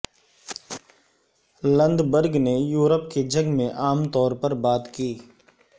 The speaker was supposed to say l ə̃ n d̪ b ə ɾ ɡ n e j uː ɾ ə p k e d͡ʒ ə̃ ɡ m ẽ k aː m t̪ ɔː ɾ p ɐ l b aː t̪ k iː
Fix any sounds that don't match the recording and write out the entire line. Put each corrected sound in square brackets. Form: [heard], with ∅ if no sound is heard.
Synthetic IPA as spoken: l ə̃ n d̪ b ə ɾ ɡ n e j uː ɾ ə p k e d͡ʒ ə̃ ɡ m ẽ [ʔ] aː m t̪ ɔː ɾ p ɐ [ɾ] b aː t̪ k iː